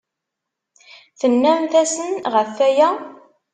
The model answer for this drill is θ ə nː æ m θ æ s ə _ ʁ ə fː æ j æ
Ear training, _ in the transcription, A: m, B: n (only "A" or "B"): B